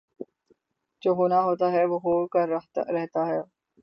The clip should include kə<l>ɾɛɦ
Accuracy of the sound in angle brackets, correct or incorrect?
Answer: incorrect